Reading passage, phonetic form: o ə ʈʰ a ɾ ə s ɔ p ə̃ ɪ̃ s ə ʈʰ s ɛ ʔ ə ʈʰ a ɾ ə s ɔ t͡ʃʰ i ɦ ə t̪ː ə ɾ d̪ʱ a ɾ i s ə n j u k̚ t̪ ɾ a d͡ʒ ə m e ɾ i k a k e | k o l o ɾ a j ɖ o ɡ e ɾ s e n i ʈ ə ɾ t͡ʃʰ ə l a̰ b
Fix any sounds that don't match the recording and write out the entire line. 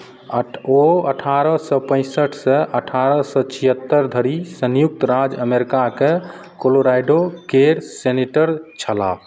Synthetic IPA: o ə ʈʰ a ɾ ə s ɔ p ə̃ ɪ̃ s ə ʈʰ s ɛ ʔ ə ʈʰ a ɾ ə s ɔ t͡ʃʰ i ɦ ə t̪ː ə ɾ d̪ʱ ə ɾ i s ə n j u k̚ t̪ ɾ a d͡ʒ ə m e ɾ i k a k e | k o l o ɾ a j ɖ o k e ɾ s e n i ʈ ə ɾ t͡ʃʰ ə l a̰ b

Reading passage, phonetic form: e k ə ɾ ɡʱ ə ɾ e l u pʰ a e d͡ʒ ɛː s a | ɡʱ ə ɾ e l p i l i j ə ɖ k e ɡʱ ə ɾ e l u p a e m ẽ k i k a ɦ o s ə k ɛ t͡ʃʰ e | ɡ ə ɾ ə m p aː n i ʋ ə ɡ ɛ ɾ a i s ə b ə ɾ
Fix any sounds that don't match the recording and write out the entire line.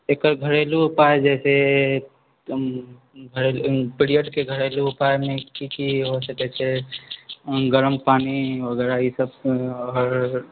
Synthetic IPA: e k ə ɾ ɡʱ ə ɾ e l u p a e d͡ʒ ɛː s e | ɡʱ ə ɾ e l p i ɾ i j ə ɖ k e ɡʱ ə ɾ e l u p a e m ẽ k i k i ɦ o s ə k ɛ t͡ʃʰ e | ɡ ə ɾ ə m p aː n i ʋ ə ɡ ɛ ɾ a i s ə b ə ɾ

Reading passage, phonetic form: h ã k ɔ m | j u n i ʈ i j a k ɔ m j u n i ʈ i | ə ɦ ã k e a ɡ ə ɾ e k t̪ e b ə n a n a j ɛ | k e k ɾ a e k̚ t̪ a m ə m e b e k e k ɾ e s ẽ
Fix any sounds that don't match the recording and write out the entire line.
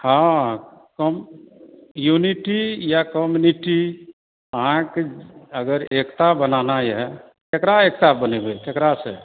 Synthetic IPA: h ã k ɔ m | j u n i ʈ i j a k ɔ m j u n i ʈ i | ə ɦ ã k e ə ɡ ə ɾ e k t̪ a b ə n a n a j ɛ | k e k ɾ a e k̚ t̪ a b ə n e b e k e k ɾ a s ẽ

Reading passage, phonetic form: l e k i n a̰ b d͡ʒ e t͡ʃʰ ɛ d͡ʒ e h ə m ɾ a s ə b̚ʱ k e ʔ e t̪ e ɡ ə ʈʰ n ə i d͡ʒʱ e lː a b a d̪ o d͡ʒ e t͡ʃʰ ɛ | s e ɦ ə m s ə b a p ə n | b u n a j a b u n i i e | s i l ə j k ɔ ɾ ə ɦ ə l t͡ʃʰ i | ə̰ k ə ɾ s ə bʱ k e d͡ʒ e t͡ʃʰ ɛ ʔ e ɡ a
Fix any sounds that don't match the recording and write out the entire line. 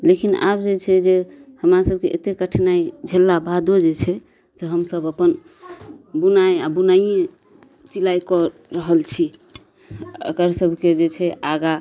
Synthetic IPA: l e k i n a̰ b d͡ʒ e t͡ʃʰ ɛ d͡ʒ e h ə m ɾ a s ə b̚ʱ k e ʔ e t̪ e k ə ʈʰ n a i d͡ʒʱ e lː a b a d̪ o d͡ʒ e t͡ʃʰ ɛ | s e ɦ ə m s ə b ə p ə n | b u n a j a b u n a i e | s i l a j k ɔ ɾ ə ɦ ə l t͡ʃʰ i | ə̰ k ə ɾ s ə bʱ k e d͡ʒ e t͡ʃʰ ɛ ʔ a ɡ a

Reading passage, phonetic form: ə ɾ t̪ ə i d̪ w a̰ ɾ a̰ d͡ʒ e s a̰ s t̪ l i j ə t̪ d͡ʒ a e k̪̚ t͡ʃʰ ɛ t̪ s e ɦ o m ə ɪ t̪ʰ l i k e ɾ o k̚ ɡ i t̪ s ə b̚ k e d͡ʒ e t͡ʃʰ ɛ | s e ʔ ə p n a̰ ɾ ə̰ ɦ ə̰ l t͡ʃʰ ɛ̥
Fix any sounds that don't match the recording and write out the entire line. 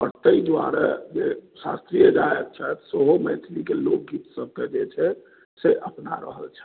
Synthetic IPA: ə ɾ t̪ ə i d̪ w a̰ ɾ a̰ d͡ʒ e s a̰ s t̪ ɾ i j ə d͡ʒ a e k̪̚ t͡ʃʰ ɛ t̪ s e ɦ o m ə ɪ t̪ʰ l i k e l o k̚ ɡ i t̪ s ə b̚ k e d͡ʒ e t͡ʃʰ ɛ | s e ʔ ə p n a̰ ɾ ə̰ ɦ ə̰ l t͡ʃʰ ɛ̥

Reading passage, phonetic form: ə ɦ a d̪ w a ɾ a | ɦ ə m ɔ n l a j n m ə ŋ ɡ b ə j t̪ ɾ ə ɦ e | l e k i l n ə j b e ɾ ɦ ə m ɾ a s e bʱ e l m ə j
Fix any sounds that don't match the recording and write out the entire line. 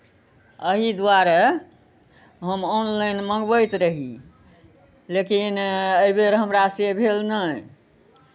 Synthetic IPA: ə ɦ i d̪ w a ɾ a | ɦ ə m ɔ n l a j n m ə ŋ ɡ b ə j t̪ ɾ ə ɦ i | l e k i n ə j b e ɾ ɦ ə m ɾ a s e bʱ e l n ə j

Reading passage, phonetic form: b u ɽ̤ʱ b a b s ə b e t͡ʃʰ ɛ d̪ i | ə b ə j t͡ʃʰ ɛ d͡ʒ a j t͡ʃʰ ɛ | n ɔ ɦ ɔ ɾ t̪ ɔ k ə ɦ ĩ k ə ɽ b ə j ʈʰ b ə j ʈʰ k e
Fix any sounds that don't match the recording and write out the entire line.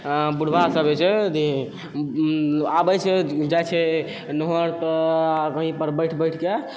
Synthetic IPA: b u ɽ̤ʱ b a s ə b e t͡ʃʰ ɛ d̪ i | a b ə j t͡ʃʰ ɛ d͡ʒ a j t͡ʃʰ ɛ | n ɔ ɦ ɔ ɾ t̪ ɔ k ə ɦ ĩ p ə ɾ b ə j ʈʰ b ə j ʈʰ k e

